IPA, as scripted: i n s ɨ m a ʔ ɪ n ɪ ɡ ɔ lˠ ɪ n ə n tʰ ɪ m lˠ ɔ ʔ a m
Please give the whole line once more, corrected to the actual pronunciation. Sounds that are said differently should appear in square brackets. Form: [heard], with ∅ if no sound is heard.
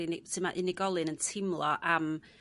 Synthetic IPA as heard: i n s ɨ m a ʔ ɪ n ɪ ɡ ɔ lˠ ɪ n ə n tʰ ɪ m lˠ ɔ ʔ a m